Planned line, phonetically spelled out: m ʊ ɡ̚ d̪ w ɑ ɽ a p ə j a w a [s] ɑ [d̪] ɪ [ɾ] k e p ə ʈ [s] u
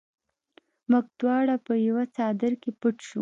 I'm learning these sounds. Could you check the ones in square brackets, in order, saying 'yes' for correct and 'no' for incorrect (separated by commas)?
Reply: no, yes, yes, no